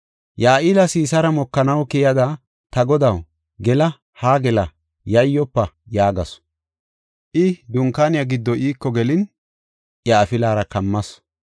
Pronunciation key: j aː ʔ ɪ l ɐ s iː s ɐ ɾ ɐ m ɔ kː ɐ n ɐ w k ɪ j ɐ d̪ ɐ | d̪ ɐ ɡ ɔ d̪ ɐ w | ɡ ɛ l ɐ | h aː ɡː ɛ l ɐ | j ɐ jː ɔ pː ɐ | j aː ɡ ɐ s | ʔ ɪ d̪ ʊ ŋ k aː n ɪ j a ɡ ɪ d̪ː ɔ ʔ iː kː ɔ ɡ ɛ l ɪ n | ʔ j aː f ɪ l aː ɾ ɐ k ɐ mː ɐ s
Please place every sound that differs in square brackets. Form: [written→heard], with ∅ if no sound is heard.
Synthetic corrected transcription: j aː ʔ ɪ l ɐ s iː s ɐ ɾ ɐ m ɔ kː ɐ n ɐ w k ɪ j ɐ d̪ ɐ | [d̪→t̪] ɐ ɡ ɔ d̪ ɐ w | ɡ ɛ l ɐ | h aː [ɡː→ɡ] ɛ l ɐ | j ɐ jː ɔ pː ɐ | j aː ɡ ɐ s | ʔ ɪ d̪ ʊ ŋ k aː n ɪ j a ɡ ɪ d̪ː ɔ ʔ iː kː ɔ ɡ ɛ l ɪ n | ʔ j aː f ɪ l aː ɾ ɐ k ɐ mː ɐ s